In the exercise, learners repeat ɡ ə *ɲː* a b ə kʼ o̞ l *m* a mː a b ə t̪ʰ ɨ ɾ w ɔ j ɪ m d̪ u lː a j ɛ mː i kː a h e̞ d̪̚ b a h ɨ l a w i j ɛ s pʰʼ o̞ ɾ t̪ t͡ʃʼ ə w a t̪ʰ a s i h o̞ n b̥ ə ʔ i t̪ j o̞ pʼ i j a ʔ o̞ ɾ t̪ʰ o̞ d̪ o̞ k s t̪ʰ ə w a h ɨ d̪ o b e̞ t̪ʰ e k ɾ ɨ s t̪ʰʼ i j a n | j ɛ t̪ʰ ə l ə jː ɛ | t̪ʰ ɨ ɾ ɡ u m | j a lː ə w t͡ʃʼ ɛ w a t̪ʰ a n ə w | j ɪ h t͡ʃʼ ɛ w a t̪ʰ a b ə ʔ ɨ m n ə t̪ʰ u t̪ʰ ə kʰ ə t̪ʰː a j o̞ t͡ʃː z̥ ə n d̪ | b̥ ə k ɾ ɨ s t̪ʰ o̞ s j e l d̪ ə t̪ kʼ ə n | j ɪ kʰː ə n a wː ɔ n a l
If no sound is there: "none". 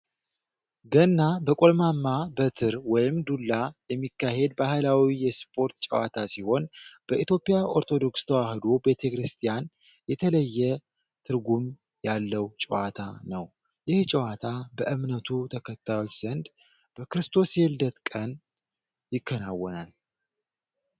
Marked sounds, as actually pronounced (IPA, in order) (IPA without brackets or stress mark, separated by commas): nː, m